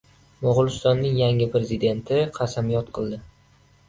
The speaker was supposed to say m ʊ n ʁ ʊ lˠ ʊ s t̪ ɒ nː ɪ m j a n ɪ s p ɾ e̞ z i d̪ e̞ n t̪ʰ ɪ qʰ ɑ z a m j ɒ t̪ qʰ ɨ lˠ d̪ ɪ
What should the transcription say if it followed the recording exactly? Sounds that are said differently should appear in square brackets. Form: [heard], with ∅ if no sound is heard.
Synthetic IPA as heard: m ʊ [∅] ʁ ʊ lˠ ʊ s t̪ ɒ nː ɪ [ŋ] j a [ŋ] ɪ [∅] p ɾ e̞ z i d̪ e̞ n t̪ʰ ɪ qʰ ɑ [s] a m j ɒ t̪ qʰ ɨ lˠ d̪ ɪ